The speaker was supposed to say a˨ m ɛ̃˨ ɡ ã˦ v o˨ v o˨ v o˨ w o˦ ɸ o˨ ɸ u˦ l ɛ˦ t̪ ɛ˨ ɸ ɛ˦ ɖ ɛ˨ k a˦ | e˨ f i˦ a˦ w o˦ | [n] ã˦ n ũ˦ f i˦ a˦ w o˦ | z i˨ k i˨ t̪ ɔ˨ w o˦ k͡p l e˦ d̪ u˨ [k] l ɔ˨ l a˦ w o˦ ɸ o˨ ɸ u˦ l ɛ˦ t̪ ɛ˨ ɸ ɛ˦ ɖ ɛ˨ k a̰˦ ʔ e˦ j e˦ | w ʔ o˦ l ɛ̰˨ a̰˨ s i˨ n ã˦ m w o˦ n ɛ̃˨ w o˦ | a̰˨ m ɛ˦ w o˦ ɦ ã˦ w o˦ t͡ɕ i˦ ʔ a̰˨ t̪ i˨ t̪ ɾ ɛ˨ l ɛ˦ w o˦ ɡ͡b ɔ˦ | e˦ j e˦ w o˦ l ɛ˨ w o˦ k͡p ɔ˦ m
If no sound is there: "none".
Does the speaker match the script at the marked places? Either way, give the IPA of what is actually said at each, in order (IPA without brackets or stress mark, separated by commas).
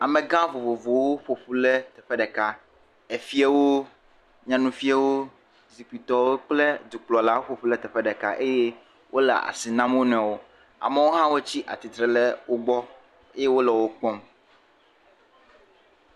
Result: ɲ, k͡p